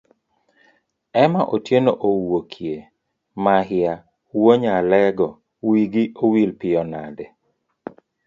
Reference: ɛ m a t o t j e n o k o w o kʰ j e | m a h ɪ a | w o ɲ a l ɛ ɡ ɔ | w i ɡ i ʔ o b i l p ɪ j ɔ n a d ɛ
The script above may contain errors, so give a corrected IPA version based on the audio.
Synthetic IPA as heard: ɛ m a ʔ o t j e n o ʔ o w o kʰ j e | m a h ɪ a | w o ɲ a l ɛ ɡ ɔ | w i ɡ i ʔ o w i l p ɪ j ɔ n a d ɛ